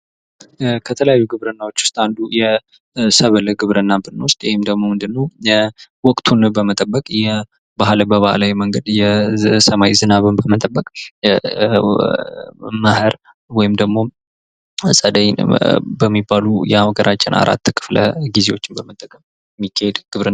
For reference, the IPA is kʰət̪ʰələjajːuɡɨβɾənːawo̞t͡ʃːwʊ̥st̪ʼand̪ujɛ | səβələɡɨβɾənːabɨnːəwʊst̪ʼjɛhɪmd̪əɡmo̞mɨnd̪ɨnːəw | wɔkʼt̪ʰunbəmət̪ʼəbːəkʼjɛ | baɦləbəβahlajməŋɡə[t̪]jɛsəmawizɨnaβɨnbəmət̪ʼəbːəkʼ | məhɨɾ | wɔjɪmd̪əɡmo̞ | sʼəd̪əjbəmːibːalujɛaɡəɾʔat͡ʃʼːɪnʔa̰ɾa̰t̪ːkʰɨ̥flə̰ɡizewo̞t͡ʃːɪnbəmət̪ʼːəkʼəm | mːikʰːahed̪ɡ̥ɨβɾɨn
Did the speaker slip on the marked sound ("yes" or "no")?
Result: yes